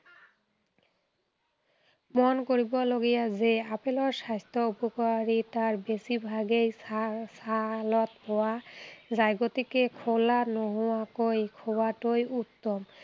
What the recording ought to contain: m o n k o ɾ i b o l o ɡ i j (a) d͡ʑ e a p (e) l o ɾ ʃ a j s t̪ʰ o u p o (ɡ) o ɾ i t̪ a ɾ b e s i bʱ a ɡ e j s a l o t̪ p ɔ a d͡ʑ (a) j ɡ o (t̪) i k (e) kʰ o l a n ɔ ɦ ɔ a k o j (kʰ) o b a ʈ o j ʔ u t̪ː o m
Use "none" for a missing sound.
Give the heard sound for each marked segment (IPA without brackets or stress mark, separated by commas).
a, e, k, a, t̪, e, kʰ